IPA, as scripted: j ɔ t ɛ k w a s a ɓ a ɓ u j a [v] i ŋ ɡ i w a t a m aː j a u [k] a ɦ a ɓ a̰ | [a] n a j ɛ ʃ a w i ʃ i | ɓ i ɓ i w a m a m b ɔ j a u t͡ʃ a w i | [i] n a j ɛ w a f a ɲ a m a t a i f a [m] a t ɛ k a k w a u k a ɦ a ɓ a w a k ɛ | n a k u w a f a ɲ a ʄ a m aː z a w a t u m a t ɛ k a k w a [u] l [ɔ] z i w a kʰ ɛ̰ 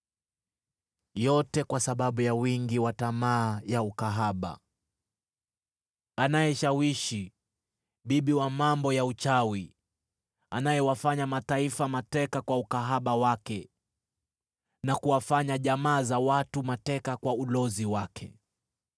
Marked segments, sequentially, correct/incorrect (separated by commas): incorrect, correct, correct, incorrect, correct, correct, correct